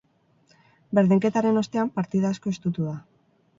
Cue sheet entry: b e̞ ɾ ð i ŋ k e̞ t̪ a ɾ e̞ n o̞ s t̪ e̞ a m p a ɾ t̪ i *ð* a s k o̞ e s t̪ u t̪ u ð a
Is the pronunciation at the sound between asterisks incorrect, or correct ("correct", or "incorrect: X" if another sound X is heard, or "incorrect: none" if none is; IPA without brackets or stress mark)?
correct